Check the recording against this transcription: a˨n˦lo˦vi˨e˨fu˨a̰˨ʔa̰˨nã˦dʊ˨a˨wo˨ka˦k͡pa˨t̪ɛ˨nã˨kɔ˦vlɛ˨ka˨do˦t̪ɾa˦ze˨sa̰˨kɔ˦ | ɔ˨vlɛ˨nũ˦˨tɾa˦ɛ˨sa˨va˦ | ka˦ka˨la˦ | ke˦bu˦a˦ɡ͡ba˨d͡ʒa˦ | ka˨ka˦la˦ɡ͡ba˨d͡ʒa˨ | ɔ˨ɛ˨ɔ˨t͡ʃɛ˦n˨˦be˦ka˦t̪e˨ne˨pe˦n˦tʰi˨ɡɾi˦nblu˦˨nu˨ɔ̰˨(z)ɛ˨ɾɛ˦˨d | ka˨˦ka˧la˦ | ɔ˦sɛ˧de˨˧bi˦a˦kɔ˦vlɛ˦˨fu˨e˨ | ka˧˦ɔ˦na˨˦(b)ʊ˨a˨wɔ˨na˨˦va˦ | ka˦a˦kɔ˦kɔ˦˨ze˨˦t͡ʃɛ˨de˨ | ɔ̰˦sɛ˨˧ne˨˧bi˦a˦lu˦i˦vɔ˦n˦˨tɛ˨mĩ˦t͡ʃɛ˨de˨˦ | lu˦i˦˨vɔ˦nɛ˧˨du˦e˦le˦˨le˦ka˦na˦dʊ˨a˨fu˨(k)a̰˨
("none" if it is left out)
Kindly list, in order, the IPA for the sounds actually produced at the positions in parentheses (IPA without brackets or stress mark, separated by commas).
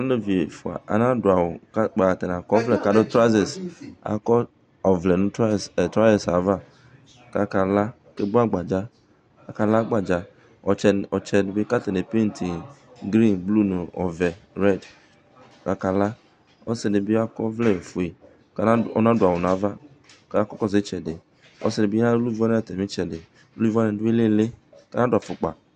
v, d, k͡p